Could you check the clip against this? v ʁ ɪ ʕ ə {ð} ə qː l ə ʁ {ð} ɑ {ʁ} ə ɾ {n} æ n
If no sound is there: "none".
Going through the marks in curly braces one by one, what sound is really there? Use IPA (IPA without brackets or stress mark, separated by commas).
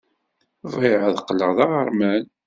ð, ð, ʁ, m